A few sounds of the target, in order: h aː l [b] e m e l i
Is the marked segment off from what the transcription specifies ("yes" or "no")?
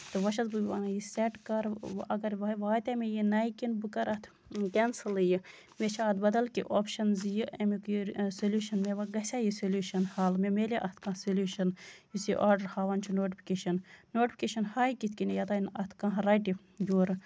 yes